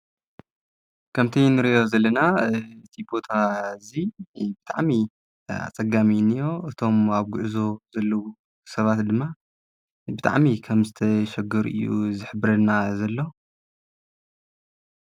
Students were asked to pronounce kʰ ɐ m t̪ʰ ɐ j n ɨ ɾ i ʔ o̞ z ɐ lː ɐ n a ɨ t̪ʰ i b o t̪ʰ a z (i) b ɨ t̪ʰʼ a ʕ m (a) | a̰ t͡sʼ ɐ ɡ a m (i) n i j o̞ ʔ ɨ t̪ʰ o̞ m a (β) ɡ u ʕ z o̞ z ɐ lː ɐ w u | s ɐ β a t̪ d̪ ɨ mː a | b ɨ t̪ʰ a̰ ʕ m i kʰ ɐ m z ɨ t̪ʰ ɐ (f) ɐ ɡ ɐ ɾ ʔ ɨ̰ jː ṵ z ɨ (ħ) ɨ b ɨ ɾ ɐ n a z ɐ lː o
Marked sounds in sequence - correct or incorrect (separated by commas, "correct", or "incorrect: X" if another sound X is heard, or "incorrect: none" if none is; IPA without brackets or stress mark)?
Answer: correct, incorrect: i, correct, correct, incorrect: ʃ, correct